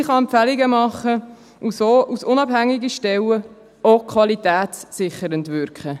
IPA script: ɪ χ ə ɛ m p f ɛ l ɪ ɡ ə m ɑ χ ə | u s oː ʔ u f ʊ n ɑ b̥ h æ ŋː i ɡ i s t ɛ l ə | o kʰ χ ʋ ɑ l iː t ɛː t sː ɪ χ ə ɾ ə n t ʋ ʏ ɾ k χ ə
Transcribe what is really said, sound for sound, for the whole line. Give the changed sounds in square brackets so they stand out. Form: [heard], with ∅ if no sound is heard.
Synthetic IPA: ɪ χ [ɑ] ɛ m p f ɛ l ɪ ɡ ə m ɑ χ ə | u s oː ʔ u [s] ʊ n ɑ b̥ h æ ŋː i ɡ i [ʃ] t ɛ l ə | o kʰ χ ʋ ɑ l [i] t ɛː t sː ɪ χ ə ɾ ə n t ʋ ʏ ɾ k χ ə